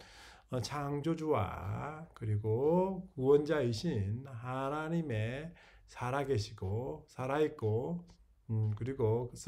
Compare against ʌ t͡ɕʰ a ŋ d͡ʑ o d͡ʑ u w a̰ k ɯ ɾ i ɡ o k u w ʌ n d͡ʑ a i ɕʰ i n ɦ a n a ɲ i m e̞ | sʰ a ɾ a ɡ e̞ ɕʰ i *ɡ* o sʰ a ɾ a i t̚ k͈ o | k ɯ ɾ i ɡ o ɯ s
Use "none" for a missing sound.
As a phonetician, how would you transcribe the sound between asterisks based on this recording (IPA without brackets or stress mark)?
ɡ